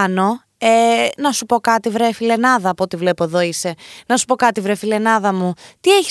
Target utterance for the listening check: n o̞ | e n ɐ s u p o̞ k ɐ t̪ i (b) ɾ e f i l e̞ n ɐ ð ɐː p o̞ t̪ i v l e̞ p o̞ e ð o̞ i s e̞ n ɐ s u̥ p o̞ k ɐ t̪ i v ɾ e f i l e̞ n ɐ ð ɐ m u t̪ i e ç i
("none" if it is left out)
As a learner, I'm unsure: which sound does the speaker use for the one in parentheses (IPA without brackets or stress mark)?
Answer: v